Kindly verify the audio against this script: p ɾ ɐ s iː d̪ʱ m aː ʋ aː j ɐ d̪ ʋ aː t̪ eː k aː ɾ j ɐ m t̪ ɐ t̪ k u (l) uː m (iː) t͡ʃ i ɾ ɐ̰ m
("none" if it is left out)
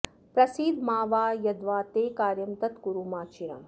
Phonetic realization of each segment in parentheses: ɾ, aː

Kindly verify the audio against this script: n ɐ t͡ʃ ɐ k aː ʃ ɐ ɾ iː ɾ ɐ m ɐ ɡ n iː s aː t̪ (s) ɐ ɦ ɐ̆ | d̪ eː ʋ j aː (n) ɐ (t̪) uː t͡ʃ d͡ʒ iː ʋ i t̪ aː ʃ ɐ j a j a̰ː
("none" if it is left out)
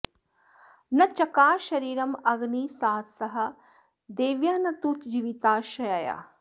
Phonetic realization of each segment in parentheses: s, n, t̪

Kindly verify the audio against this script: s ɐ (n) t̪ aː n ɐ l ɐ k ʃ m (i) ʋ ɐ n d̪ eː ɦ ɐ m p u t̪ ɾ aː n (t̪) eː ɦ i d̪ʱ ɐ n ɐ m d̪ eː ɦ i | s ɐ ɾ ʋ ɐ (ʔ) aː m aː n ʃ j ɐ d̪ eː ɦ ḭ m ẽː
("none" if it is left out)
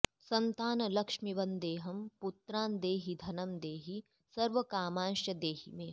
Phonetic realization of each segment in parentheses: n, i, d̪, k

